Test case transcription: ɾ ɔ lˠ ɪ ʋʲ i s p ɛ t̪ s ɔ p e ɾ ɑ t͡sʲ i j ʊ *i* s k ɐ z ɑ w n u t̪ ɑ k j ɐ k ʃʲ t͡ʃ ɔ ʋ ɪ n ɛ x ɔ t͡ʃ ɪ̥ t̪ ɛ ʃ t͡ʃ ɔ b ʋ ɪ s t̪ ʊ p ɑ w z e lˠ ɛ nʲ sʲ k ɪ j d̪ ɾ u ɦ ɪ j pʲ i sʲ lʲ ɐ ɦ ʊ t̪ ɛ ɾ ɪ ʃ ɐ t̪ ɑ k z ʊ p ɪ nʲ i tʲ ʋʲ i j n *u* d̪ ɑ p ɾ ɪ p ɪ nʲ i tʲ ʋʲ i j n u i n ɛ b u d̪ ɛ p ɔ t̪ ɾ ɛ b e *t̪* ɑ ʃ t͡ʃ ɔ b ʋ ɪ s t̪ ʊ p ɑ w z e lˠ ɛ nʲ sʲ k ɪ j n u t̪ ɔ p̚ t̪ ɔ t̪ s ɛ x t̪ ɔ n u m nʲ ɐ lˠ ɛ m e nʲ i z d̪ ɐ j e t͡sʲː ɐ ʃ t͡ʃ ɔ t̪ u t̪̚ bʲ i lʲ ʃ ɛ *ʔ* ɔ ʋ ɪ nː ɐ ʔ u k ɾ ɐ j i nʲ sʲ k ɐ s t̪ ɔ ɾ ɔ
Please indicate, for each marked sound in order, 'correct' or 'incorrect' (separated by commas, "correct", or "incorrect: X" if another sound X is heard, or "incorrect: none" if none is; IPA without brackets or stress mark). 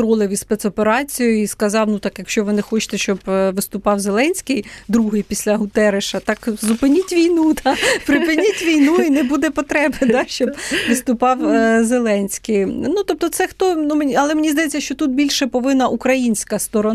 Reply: correct, correct, incorrect: d̪, incorrect: p